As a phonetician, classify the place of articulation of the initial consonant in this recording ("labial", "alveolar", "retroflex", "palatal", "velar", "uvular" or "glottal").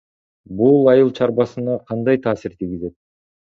labial